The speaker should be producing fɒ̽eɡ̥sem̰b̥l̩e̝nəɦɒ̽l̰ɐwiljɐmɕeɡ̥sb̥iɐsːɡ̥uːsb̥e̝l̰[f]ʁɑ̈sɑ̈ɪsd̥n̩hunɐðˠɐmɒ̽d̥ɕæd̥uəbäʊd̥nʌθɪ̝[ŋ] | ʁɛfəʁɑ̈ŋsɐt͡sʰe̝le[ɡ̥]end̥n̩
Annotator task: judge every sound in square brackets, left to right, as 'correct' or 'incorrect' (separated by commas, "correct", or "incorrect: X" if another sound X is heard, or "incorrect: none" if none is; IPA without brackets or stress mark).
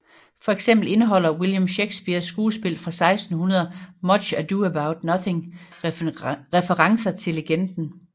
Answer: correct, correct, correct